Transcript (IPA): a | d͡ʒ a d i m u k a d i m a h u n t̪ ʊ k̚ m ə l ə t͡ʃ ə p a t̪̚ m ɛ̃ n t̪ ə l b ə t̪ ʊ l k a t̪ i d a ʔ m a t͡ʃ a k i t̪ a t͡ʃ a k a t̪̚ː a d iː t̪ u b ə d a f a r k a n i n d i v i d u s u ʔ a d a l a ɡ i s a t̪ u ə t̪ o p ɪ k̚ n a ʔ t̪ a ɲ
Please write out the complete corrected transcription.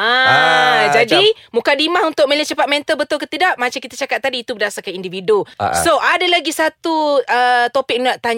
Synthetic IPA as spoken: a | d͡ʒ a d i m u k a d i m a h u n t̪ ʊ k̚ m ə l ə t͡ʃ ə p a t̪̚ m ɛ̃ n t̪ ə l b ə t̪ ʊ l k ə t̪ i d a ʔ m a t͡ʃ a k i t̪ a t͡ʃ a k a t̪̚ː a d iː t̪ u b ə d a s a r k a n i n d i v i d u s o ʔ a d a l a ɡ i s a t̪ u ə t̪ o p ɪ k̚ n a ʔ t̪ a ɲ